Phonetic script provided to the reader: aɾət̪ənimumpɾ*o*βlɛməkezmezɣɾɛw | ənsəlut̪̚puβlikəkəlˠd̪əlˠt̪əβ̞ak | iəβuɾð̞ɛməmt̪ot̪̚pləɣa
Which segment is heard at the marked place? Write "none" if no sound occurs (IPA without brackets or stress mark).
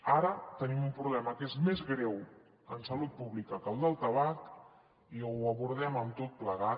u